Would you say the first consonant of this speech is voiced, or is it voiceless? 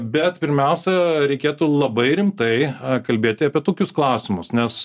voiced